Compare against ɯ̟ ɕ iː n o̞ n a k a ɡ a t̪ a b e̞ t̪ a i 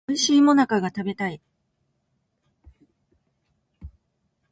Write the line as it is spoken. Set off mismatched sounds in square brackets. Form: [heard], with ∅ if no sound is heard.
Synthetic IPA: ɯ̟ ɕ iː [m] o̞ n a k a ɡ a t̪ a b e̞ t̪ a i